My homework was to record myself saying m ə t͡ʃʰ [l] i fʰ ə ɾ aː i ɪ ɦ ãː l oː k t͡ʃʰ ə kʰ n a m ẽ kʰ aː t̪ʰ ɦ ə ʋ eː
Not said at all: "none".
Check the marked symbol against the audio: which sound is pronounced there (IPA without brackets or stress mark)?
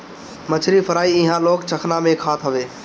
ɾ